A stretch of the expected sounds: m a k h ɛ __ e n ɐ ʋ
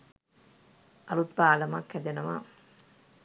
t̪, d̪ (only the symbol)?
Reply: d̪